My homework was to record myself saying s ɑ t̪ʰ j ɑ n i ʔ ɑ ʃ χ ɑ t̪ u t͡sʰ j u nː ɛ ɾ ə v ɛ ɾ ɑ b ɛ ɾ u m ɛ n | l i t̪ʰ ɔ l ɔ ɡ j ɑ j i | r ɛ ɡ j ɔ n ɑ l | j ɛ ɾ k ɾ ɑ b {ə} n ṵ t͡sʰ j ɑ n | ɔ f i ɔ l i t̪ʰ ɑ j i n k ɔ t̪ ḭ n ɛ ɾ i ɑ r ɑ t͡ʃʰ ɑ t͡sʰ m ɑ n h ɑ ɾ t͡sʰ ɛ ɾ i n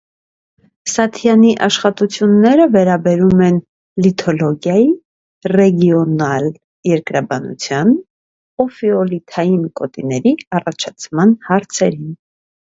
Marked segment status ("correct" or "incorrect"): incorrect